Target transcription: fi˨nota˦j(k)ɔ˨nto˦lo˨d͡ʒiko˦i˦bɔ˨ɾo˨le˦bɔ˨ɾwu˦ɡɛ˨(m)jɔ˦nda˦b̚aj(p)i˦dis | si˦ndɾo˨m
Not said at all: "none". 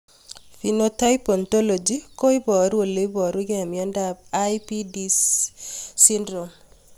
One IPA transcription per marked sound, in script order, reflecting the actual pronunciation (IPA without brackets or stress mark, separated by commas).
p, m, p